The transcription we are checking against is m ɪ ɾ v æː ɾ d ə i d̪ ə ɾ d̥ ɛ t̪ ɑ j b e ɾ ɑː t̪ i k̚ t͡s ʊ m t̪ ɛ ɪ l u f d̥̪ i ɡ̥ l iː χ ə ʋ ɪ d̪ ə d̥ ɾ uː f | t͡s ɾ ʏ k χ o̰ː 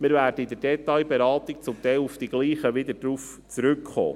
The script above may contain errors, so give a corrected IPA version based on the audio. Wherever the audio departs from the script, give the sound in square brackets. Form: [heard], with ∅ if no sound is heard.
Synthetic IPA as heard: m ɪ ɾ v æː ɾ d ə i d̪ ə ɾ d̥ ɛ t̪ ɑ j b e ɾ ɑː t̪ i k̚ t͡s ʊ m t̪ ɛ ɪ l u f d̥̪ i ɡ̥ l iː χ ə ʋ ɪ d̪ ə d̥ ɾ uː f | t͡s ɾ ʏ k χ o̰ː